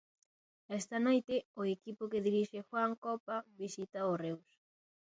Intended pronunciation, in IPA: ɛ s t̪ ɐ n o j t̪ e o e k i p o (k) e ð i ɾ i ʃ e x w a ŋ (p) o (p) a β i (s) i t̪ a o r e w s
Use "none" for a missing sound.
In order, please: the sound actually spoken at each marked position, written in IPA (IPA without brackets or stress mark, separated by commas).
k, k, p, s